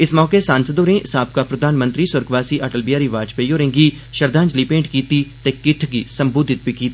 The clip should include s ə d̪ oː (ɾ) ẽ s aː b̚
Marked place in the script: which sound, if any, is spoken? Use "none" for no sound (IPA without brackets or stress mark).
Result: ɾ